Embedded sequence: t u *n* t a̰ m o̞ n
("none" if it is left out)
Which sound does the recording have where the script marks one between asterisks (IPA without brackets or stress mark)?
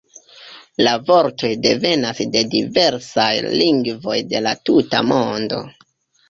none